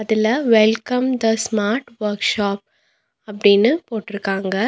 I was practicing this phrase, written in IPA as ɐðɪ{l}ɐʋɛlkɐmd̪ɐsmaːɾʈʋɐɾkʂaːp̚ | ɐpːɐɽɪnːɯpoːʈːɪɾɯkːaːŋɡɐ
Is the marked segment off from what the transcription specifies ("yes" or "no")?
no